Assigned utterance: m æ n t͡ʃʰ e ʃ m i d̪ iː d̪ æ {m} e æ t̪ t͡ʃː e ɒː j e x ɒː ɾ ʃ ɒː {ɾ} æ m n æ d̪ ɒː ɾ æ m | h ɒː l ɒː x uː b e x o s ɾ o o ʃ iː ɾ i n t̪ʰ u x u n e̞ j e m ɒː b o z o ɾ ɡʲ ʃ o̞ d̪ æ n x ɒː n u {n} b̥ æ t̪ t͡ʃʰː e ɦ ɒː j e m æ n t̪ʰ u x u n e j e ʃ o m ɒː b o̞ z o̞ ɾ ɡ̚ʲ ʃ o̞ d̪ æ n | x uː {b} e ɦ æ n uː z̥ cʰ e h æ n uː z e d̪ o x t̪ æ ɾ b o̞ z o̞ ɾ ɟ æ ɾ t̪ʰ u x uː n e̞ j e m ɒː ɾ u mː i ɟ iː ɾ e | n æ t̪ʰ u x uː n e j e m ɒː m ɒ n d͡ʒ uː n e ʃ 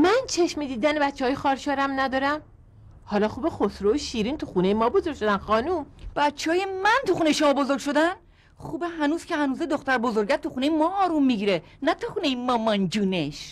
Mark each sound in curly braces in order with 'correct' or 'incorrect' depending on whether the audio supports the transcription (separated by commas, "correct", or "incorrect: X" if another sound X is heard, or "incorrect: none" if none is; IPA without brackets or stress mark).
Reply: incorrect: n, correct, incorrect: m, correct